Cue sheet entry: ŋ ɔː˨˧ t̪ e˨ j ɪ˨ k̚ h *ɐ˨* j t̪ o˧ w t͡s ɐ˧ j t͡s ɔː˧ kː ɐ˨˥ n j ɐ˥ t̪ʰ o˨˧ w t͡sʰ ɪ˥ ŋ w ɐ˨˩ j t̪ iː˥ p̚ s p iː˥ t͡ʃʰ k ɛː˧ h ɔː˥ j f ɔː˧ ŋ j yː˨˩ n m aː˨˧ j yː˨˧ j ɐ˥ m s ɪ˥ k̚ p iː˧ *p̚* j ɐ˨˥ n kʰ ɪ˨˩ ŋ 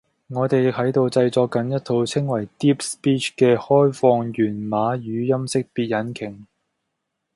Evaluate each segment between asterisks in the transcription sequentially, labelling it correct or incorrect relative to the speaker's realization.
incorrect: ɐ˨˥, incorrect: t̚

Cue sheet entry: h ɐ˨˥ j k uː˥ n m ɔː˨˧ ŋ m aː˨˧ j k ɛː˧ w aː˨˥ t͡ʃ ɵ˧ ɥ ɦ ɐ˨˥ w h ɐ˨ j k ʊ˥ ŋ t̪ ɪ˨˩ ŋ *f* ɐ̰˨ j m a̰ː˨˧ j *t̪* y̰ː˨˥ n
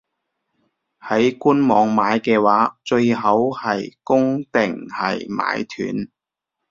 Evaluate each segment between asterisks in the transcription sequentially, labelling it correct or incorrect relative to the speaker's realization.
incorrect: h, incorrect: t̪ʰ

